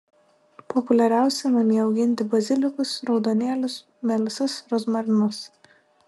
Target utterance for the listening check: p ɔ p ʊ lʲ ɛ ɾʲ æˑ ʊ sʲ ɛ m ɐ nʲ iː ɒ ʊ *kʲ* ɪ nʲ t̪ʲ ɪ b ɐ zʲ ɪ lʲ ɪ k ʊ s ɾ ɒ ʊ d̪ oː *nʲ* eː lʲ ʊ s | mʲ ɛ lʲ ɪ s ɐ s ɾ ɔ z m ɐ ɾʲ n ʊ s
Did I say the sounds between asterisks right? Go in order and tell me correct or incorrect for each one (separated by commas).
incorrect, correct